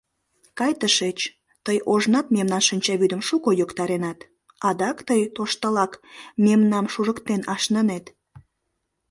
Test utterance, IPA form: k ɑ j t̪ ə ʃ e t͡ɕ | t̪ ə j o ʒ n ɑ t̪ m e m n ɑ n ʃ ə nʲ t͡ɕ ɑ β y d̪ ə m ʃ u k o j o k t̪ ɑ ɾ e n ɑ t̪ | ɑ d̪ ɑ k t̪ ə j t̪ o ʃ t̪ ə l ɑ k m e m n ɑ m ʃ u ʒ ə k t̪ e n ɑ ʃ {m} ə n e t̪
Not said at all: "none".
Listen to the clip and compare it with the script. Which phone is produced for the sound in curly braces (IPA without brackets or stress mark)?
n